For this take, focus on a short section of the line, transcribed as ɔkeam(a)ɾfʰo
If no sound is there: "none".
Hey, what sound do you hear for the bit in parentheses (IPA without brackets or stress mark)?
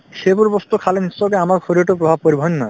a